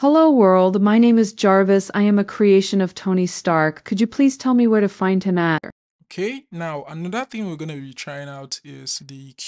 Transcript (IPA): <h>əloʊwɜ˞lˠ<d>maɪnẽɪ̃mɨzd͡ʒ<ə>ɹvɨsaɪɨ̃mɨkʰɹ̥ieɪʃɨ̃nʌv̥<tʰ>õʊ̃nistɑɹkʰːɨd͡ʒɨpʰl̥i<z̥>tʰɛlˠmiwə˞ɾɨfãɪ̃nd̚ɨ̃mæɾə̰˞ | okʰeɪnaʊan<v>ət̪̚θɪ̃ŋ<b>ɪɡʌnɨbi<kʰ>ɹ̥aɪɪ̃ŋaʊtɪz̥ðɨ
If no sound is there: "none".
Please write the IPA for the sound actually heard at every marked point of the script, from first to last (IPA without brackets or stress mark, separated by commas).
h, d, ɑ, tʰ, z̥, ð, w, tʰ